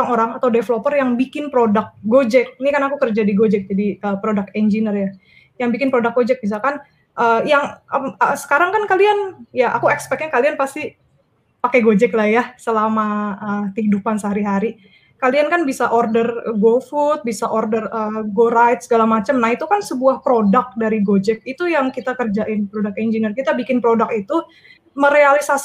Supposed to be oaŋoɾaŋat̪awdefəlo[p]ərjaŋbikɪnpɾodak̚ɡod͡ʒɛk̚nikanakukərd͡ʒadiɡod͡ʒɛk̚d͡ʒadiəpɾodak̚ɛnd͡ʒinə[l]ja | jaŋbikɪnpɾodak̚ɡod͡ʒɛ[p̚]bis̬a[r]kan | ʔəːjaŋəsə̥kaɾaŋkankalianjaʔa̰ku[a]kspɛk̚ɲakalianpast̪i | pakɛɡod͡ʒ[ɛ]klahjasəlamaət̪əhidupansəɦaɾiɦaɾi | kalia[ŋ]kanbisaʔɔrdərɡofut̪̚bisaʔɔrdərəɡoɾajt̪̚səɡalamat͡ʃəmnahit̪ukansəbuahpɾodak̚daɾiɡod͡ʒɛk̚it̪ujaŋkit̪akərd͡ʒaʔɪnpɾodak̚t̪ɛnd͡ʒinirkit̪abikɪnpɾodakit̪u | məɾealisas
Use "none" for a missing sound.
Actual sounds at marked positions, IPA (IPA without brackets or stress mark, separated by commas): p, r, k̚, l, ɛ, ɛ, n